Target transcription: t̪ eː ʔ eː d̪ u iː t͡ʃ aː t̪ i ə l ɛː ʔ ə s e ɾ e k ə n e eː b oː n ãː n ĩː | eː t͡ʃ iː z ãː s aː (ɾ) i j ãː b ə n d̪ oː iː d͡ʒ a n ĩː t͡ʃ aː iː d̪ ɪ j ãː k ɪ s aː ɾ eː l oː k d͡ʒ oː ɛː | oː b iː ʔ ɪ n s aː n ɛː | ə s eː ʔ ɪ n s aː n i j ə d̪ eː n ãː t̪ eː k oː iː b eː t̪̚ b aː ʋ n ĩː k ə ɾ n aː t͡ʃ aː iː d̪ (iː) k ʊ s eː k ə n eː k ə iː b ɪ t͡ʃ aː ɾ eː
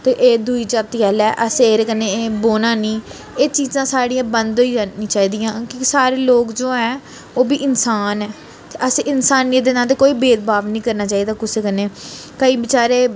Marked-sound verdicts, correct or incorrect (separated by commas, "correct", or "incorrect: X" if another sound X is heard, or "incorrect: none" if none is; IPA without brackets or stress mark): incorrect: ɽ, incorrect: aː